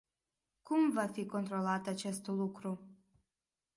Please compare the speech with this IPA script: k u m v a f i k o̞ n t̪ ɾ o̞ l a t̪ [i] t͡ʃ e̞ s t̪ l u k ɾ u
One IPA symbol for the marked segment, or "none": a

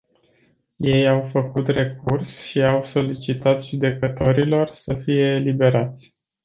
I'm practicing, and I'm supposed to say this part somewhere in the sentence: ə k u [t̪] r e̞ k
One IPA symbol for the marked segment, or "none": t̪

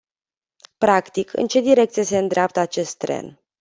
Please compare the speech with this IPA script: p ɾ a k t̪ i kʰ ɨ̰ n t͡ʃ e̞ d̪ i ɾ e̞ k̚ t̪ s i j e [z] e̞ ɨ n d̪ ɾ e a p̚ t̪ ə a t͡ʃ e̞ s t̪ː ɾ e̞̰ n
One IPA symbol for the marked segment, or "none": s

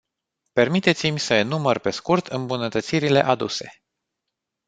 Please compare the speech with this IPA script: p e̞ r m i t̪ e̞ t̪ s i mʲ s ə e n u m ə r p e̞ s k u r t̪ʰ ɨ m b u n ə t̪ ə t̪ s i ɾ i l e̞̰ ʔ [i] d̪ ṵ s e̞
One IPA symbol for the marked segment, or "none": a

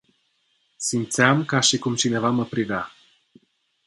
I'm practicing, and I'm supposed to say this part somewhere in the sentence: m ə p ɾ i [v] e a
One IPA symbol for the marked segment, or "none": v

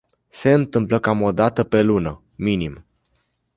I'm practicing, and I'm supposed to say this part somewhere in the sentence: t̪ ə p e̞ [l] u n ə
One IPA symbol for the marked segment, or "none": l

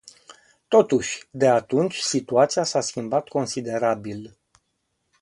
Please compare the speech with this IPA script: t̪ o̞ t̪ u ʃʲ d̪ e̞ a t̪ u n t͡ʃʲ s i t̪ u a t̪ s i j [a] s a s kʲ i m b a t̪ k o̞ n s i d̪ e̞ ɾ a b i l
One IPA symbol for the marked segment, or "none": a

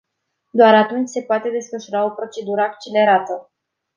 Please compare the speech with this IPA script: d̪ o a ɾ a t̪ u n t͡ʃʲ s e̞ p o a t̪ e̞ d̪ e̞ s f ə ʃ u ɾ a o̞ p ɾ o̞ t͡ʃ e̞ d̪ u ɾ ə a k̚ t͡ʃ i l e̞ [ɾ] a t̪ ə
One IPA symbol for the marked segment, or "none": ɾ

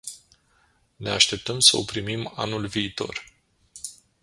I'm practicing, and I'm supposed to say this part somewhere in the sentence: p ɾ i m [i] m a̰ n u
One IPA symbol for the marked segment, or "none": i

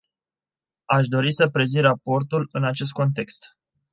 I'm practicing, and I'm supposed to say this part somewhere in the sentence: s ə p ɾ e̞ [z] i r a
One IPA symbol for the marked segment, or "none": z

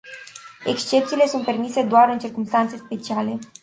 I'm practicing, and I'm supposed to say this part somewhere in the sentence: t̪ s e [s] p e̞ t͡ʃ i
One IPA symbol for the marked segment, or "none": s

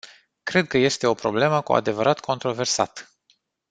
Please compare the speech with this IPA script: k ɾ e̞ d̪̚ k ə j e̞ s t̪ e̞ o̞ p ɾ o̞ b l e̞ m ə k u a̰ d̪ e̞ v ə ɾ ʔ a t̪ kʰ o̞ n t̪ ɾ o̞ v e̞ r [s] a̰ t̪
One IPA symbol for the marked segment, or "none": s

